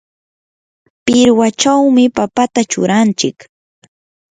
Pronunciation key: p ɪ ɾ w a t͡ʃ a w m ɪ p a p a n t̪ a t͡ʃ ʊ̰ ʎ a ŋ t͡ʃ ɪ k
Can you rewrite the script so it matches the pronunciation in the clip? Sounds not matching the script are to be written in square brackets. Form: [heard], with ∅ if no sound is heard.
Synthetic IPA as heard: p ɪ ɾ w a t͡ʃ a w m ɪ p a p a [∅] t̪ a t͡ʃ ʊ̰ [ɾ] a [n] t͡ʃ ɪ k